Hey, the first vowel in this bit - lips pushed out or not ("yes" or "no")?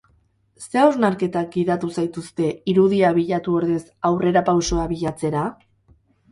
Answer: no